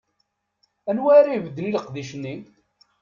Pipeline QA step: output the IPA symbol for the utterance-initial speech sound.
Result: æ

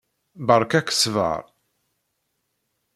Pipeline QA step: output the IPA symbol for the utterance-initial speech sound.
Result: b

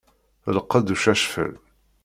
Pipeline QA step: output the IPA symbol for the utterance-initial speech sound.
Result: l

